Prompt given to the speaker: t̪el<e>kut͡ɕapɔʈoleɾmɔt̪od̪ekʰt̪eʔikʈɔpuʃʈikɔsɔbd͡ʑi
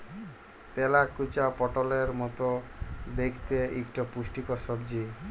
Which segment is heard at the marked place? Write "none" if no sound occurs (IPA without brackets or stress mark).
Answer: a